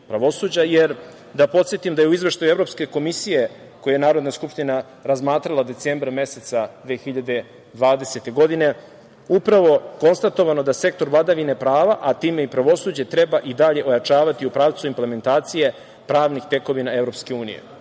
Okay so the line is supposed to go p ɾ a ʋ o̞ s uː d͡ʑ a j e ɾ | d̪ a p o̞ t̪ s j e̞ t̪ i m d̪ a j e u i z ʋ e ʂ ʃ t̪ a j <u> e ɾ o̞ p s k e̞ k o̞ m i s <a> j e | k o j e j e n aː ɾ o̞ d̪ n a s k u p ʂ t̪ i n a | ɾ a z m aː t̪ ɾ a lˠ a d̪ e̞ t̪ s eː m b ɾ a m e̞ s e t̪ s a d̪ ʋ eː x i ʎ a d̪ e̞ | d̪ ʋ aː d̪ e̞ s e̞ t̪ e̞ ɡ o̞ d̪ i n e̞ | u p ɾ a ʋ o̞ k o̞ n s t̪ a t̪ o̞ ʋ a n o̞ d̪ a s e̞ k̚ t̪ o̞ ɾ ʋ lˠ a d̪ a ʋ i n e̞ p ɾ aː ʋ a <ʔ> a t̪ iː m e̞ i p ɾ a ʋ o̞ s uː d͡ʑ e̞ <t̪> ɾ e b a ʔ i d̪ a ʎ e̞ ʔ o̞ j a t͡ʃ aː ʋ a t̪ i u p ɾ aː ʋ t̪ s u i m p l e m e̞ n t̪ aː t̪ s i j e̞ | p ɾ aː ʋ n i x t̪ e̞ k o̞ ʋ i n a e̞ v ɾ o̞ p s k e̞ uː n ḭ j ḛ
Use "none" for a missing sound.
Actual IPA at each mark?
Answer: u, i, ʔ, t̪

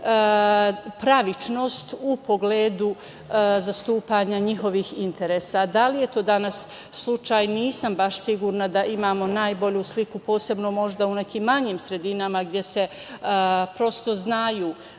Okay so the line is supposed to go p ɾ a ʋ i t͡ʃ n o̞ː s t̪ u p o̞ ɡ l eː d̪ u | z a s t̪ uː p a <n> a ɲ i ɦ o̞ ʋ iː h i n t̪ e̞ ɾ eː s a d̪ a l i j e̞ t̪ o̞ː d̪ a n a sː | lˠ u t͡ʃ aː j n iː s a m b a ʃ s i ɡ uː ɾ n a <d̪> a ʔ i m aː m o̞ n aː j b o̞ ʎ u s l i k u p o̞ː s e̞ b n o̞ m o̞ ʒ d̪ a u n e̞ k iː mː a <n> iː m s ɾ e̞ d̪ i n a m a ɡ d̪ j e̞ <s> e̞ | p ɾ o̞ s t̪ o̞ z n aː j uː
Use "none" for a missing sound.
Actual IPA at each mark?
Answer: ɲ, d̪, ɲ, s

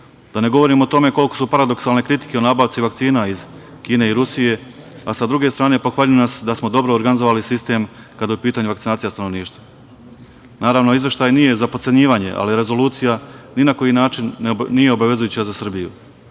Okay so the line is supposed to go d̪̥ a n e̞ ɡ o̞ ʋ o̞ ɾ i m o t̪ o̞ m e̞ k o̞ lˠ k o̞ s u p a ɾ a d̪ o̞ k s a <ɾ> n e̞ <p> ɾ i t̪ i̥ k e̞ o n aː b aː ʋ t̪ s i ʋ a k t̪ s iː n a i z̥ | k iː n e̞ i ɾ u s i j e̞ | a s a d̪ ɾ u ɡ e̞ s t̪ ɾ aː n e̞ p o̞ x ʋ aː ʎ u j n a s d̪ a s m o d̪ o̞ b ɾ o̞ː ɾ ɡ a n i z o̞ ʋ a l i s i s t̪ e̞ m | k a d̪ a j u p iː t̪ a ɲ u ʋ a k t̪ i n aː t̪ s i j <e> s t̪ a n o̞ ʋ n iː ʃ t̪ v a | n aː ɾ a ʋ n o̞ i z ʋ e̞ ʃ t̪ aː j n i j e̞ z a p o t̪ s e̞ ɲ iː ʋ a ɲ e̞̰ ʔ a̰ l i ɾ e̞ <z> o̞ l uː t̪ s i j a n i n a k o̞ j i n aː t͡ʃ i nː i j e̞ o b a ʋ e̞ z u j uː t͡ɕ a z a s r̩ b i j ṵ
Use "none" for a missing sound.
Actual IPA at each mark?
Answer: l, k, a, z

